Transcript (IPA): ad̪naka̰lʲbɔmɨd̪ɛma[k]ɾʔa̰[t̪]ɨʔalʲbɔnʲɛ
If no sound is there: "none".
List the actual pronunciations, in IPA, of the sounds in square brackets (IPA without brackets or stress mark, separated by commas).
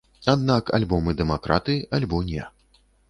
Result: k, t̪